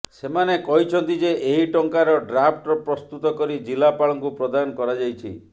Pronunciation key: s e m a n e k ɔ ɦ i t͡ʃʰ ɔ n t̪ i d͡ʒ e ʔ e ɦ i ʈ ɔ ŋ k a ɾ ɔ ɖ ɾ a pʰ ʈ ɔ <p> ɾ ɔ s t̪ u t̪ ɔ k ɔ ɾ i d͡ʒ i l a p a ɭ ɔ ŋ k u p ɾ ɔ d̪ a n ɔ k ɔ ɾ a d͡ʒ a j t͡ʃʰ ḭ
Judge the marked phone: correct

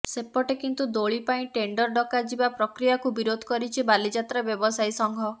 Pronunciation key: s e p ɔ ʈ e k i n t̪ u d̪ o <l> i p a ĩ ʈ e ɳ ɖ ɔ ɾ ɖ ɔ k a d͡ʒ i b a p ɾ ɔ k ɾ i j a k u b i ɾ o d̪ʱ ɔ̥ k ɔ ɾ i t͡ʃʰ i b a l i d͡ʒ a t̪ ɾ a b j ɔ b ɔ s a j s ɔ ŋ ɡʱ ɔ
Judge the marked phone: incorrect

